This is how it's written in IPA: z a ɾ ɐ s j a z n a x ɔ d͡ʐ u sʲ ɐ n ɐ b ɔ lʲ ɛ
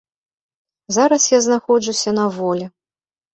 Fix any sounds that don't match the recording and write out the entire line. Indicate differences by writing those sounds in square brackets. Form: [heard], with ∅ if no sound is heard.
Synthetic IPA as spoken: z a ɾ ɐ s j a z n a x ɔ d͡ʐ u sʲ ɐ n ɐ [v] ɔ lʲ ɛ